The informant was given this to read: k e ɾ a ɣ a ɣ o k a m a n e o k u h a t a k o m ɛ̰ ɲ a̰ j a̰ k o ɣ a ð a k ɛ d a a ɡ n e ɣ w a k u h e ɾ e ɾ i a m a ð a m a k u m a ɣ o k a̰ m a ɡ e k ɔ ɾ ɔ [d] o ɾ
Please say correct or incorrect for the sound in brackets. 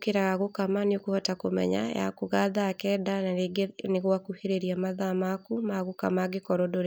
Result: correct